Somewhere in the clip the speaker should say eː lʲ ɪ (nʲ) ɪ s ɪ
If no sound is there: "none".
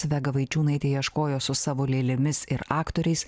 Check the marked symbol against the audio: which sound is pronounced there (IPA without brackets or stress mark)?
mʲ